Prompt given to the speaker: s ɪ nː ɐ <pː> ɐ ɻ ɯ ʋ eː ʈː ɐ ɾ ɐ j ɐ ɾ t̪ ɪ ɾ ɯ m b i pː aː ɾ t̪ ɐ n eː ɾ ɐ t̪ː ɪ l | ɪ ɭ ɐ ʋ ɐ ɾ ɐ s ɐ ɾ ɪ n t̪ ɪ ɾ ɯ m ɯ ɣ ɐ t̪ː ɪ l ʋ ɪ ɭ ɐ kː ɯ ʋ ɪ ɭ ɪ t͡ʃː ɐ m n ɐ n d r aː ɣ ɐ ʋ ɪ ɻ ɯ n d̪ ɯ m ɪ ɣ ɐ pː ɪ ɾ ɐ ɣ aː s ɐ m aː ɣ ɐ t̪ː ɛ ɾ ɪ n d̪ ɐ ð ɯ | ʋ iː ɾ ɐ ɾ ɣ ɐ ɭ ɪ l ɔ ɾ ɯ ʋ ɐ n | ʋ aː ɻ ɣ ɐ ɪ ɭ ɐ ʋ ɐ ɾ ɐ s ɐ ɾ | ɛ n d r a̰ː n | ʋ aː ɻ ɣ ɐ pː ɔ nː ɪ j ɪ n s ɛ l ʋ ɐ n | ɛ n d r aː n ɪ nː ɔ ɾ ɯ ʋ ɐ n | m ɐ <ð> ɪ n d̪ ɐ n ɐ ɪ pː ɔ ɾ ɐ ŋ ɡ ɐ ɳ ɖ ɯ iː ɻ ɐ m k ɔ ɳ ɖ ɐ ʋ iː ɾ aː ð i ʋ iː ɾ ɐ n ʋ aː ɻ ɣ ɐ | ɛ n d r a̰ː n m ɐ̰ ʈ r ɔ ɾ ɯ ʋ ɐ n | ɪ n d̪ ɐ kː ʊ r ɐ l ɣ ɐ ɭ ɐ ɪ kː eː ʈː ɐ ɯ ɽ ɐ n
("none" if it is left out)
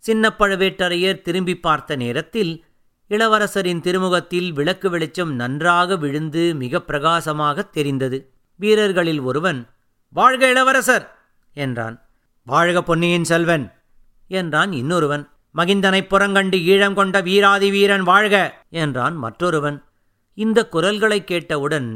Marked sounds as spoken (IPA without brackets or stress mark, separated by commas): pː, ɣ